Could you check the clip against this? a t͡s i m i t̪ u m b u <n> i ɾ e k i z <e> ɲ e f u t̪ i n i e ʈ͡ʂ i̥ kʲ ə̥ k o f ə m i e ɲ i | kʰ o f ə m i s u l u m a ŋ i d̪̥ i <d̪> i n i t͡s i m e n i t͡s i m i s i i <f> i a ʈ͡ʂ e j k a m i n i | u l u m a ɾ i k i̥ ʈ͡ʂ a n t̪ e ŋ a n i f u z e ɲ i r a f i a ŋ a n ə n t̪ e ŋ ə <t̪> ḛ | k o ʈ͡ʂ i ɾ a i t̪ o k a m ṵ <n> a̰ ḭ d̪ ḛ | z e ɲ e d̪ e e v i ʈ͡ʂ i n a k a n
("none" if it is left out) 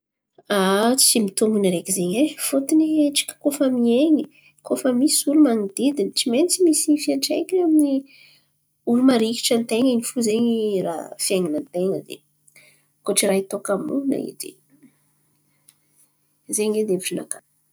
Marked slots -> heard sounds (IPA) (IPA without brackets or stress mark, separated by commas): n, e, d̪, f, d̪, n